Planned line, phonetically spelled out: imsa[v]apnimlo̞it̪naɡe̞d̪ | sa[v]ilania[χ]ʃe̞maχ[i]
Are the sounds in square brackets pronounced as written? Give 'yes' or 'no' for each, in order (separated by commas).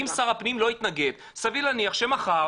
no, yes, yes, no